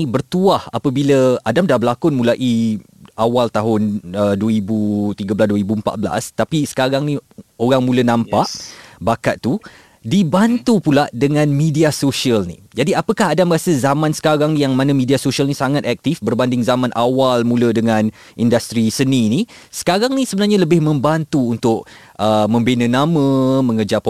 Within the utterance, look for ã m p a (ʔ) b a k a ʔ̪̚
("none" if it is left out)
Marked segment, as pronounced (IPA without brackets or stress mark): ʔ